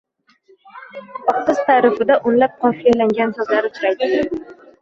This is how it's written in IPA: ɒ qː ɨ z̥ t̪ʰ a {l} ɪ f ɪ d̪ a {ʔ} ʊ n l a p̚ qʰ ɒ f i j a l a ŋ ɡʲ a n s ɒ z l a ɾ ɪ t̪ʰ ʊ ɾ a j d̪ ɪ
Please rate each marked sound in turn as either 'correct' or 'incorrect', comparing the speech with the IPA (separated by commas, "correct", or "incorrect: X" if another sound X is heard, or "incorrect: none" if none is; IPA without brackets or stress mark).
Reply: incorrect: ɾ, correct